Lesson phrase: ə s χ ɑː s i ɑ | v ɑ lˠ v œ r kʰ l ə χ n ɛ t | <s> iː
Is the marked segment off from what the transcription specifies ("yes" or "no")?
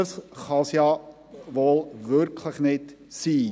no